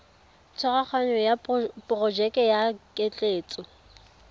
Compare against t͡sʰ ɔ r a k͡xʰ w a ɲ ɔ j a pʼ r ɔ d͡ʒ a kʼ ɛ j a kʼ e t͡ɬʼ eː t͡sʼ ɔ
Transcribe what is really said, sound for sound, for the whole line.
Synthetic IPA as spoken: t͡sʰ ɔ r a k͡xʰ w a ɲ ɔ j a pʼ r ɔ d͡ʒ ɛ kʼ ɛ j a kʼ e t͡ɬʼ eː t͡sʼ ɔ